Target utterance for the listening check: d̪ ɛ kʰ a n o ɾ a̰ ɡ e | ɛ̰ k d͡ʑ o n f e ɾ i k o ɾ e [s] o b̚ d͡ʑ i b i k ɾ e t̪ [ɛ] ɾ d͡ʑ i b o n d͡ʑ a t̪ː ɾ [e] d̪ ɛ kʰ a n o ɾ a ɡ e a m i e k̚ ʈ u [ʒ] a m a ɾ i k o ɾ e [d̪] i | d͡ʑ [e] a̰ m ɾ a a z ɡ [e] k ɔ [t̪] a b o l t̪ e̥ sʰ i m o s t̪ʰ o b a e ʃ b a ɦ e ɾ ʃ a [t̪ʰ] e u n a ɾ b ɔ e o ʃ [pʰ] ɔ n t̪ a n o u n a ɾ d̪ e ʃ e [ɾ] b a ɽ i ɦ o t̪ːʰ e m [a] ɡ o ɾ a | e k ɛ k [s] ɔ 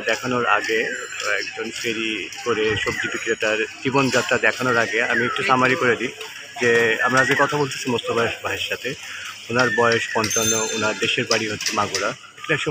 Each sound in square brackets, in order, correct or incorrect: incorrect, incorrect, incorrect, incorrect, correct, correct, correct, incorrect, correct, incorrect, correct, correct, incorrect

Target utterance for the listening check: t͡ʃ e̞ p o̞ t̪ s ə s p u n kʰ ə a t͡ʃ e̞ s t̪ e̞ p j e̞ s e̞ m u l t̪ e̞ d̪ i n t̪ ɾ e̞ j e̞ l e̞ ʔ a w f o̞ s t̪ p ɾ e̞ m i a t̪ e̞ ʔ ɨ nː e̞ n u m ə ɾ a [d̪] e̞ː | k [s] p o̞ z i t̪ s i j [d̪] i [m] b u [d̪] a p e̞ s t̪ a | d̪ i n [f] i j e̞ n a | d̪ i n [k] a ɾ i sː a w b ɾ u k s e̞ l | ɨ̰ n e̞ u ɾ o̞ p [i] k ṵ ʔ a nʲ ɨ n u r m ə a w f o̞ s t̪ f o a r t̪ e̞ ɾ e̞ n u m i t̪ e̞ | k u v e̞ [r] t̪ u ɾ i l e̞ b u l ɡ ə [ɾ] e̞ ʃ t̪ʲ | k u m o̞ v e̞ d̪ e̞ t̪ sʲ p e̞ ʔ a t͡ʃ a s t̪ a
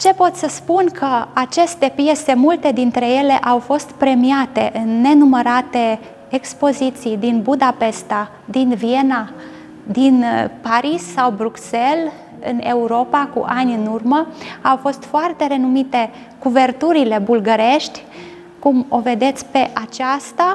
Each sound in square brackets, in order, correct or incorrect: incorrect, correct, correct, incorrect, correct, incorrect, incorrect, incorrect, correct, correct

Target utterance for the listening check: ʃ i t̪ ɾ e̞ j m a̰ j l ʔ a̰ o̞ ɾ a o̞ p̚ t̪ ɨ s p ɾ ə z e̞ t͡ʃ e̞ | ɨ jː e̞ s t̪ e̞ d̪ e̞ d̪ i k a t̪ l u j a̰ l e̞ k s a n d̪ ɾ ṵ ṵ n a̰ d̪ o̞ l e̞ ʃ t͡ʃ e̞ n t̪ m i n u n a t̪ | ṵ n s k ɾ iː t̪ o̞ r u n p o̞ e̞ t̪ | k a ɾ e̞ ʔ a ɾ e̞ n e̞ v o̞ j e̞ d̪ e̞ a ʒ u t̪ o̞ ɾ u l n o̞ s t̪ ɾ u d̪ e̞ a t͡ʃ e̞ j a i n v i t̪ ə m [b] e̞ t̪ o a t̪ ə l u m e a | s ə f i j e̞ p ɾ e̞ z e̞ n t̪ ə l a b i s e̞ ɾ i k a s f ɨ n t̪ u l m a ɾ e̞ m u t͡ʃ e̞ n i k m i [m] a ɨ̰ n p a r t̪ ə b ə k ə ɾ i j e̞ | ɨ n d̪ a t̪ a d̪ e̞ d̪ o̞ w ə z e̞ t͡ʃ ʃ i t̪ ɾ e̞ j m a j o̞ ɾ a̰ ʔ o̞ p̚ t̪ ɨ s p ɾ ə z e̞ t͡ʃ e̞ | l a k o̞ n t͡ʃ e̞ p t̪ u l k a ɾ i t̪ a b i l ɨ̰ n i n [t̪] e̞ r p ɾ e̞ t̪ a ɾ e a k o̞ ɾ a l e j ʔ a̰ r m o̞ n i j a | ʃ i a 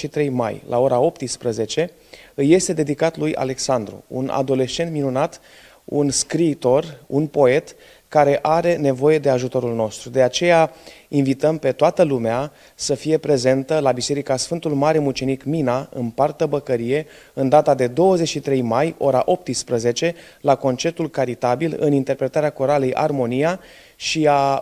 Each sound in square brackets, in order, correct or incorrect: incorrect, incorrect, correct

